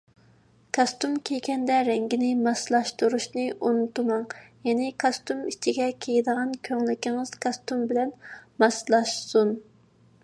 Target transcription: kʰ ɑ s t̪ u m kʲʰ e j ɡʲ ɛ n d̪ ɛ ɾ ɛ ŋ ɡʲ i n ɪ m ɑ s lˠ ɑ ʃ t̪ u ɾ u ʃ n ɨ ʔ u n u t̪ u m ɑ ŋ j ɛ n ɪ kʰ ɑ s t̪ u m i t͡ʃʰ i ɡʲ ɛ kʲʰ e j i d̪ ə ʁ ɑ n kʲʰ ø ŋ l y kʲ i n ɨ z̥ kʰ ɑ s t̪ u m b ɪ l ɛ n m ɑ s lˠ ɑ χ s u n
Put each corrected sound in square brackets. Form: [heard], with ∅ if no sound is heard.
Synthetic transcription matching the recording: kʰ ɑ s t̪ u m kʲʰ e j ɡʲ ɛ n d̪ ɛ ɾ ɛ ŋ ɡʲ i n ɪ m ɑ s lˠ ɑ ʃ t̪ u ɾ u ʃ n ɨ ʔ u n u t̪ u m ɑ ŋ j ɛ n ɪ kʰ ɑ s t̪ u m i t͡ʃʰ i ɡʲ ɛ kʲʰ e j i d̪ ə ʁ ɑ n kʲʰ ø ŋ l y kʲ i [ŋ] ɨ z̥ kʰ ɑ s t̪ u m b ɪ l ɛ n m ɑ s lˠ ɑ [ʃ] s u n